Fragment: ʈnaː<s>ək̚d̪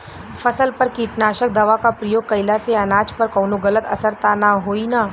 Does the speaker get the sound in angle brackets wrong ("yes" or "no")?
yes